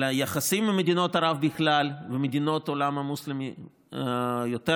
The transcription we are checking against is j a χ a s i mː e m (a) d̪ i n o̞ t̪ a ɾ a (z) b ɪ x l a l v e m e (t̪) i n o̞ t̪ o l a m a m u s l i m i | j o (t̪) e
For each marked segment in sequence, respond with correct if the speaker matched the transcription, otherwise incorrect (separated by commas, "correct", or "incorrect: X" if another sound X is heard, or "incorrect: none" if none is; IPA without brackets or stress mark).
incorrect: e, incorrect: v, incorrect: d̪, correct